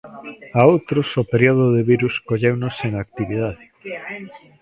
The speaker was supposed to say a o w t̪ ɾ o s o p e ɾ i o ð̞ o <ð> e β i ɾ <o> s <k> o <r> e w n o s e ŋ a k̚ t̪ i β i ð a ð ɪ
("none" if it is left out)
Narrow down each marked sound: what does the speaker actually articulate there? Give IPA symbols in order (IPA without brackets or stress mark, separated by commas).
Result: ð, u, k, ʎ